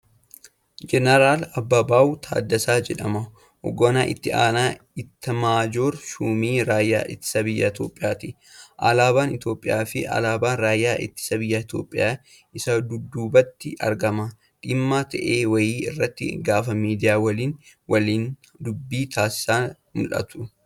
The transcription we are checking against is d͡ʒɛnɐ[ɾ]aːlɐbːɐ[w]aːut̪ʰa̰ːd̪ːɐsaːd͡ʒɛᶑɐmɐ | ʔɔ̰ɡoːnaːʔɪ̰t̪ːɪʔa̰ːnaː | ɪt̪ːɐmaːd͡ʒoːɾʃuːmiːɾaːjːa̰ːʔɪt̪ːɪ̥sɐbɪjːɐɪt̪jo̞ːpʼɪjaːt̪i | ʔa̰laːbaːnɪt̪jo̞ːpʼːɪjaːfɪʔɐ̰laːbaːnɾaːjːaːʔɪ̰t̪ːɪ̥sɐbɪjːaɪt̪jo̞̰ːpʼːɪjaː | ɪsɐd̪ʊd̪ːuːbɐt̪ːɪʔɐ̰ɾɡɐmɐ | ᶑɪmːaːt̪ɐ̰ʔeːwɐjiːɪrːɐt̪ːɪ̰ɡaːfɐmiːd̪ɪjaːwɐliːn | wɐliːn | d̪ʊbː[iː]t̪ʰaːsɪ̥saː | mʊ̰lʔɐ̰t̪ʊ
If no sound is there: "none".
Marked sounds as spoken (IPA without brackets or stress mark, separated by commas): ɾ, b, iː